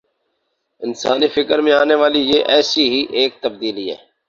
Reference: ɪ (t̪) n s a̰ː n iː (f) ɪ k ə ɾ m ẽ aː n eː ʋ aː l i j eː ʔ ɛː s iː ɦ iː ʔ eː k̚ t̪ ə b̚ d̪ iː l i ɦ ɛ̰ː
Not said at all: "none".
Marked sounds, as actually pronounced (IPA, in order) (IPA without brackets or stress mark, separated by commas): none, f